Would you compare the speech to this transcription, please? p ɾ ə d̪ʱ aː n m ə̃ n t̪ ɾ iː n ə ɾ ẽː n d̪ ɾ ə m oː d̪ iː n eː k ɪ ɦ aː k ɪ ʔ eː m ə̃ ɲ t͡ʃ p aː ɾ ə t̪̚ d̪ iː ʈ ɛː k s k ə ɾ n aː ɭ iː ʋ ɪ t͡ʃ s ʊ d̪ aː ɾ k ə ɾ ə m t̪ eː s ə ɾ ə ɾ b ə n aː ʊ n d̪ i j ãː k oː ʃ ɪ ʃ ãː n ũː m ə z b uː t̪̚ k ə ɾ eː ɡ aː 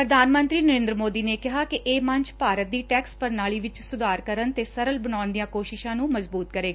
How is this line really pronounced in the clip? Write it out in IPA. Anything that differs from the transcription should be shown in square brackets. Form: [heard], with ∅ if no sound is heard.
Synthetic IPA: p ɾ ə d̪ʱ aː n m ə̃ n t̪ ɾ iː n ə ɾ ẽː n d̪ ɾ ə m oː d̪ iː n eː k ɪ ɦ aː k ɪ ʔ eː m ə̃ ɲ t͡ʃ p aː ɾ ə t̪̚ d̪ iː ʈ ɛː k s [p] ə ɾ n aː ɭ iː ʋ ɪ t͡ʃ s ʊ d̪ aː ɾ k ə ɾ ə [n] t̪ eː s ə ɾ ə [l] b ə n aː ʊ n d̪ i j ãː k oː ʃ ɪ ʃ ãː n ũː m ə z b uː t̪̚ k ə ɾ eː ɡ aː

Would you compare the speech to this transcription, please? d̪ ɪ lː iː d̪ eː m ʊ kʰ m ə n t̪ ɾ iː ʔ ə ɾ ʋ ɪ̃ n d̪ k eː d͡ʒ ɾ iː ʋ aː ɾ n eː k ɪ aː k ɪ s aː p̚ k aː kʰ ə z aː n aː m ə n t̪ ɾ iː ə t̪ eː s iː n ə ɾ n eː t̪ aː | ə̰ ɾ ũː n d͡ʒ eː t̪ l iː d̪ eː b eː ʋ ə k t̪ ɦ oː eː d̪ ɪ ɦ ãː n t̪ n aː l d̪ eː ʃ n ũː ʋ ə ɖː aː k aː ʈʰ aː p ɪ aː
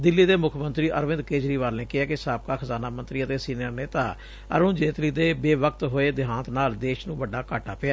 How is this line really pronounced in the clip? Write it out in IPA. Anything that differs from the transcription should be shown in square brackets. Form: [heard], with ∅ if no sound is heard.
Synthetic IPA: d̪ ɪ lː iː d̪ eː m ʊ kʰ m ə n t̪ ɾ iː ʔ ə ɾ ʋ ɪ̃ n d̪ k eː d͡ʒ ɾ iː ʋ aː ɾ n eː k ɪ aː k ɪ s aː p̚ k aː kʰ ə z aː n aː m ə n t̪ ɾ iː ə t̪ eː s iː n ə ɾ n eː t̪ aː | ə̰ ɾ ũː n d͡ʒ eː t̪ l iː d̪ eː b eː ʋ ə k t̪ ɦ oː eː d̪ ɪ ɦ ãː n t̪ n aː l d̪ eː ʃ n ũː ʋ ə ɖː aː k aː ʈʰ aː p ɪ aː

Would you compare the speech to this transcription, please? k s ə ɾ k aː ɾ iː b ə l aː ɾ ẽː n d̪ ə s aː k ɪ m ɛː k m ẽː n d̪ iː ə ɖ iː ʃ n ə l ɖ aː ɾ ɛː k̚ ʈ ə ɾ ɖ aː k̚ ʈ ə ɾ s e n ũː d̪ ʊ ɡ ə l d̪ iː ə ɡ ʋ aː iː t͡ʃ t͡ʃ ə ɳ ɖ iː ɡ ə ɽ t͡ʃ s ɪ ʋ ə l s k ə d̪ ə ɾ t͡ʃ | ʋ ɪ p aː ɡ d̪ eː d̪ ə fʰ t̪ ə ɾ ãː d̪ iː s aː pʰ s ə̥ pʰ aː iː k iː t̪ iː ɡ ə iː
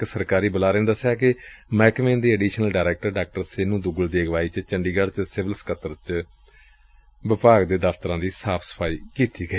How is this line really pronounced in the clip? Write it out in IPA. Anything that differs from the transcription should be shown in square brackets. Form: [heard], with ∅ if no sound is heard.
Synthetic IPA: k s ə ɾ k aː ɾ iː b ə l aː ɾ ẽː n d̪ ə s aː k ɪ m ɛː k m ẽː n d̪ iː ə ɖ iː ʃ n ə l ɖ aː ɾ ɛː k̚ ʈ ə ɾ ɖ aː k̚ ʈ ə ɾ s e n ũː d̪ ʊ ɡ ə l d̪ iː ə ɡ ʋ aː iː t͡ʃ t͡ʃ ə ɳ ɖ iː ɡ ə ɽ t͡ʃ s ɪ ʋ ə l s k ə [t̪] ə ɾ t͡ʃ | ʋ ɪ p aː ɡ d̪ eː d̪ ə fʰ t̪ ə ɾ ãː d̪ iː s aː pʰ s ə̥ pʰ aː iː k iː t̪ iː ɡ ə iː

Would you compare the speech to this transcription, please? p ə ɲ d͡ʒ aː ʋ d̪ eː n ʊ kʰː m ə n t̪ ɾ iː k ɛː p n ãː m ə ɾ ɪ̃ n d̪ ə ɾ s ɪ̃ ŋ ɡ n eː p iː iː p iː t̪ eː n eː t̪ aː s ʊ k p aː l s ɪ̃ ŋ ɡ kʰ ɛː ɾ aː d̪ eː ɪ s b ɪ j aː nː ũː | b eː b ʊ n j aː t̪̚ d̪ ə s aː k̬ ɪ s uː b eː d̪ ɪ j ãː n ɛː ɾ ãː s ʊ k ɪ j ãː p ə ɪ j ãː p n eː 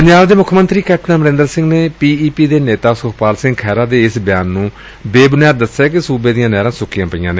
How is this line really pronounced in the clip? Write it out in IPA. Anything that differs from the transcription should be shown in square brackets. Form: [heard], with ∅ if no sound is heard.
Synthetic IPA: p ə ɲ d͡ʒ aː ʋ d̪ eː [m] ʊ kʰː m ə n t̪ ɾ iː k ɛː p n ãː m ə ɾ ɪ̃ n d̪ ə ɾ s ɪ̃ ŋ ɡ n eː p iː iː p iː [d̪] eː n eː t̪ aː s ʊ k p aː l s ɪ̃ ŋ ɡ kʰ ɛː ɾ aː d̪ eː ɪ s b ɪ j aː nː ũː | b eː b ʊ n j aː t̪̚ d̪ ə s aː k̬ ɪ s uː b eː d̪ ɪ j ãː n ɛː ɾ ãː s ʊ k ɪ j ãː p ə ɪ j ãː [∅] n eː

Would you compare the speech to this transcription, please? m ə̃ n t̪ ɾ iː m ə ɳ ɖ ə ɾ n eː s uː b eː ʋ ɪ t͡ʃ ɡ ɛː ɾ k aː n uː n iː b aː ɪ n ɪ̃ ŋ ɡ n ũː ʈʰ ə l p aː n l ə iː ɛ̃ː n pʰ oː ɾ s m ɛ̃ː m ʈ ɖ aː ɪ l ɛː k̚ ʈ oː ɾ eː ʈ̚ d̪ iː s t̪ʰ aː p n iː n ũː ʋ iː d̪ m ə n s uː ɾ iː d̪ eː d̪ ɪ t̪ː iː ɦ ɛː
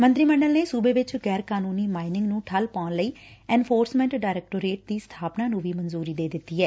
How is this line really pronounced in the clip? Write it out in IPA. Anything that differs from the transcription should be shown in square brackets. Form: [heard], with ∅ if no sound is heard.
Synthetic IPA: m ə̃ n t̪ ɾ iː m ə ɳ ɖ ə [l] n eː s uː b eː ʋ ɪ t͡ʃ ɡ ɛː ɾ k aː n uː n iː [m] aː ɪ n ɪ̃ ŋ ɡ n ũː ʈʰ ə l p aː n l ə iː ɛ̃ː n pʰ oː ɾ s m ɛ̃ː [ɳ] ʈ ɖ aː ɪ [ɾ] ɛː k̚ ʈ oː ɾ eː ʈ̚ d̪ iː s t̪ʰ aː p n [aː] n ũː ʋ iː [∅] m ə n [z] uː ɾ iː d̪ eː d̪ ɪ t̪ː iː ɦ ɛː

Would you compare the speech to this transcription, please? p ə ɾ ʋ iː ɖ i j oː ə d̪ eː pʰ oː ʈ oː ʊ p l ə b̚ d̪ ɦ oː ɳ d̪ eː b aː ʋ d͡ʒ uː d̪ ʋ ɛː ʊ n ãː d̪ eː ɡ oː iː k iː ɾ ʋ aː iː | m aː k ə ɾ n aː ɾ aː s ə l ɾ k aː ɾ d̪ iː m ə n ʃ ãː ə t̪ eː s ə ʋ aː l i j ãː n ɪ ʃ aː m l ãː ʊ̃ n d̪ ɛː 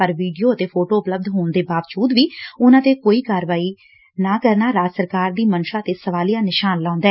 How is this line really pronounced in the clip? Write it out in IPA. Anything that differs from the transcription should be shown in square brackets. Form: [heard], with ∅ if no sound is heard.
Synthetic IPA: p ə ɾ ʋ iː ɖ i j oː ə [t̪] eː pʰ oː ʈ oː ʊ p l ə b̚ d̪ ɦ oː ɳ d̪ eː b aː ʋ d͡ʒ uː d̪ ʋ [iː] ʊ n ãː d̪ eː [k] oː iː k [aː] ɾ ʋ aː iː | [n] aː k ə ɾ n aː ɾ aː s ə [∅] ɾ k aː ɾ d̪ iː m ə n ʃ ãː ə t̪ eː s ə ʋ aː l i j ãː n ɪ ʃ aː [n] l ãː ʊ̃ n d̪ ɛː

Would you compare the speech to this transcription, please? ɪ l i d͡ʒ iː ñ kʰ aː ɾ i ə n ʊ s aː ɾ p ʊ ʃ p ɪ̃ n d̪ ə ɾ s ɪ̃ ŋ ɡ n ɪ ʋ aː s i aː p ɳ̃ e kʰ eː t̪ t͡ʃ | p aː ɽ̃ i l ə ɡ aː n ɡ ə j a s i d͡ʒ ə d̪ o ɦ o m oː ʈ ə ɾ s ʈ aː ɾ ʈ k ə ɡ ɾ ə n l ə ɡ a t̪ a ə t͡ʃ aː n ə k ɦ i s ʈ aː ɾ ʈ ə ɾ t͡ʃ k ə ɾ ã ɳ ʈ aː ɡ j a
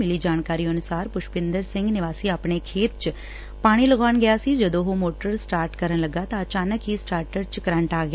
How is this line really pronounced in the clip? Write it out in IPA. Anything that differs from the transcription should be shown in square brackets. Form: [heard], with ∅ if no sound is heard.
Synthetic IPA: ɪ l i d͡ʒ [aː] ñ [k] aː ɾ i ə n ʊ s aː ɾ p ʊ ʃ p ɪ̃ n d̪ ə ɾ s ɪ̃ ŋ ɡ n ɪ ʋ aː s i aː p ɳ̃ e kʰ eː t̪ t͡ʃ | p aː ɽ̃ i l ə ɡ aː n ɡ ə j a s i d͡ʒ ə d̪ o ɦ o m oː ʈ ə ɾ s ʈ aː ɾ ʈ k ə [∅] ɾ ə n l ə ɡ a t̪ a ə t͡ʃ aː n ə k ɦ i s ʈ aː ɾ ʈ ə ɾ t͡ʃ k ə ɾ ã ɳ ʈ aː ɡ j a

